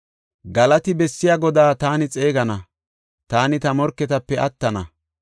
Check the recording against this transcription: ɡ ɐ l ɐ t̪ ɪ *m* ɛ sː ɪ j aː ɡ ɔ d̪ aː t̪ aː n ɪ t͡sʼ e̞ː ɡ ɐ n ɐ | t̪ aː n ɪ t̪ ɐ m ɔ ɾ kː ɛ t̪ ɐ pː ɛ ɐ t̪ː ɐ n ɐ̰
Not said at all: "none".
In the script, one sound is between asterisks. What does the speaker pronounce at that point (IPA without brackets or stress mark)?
b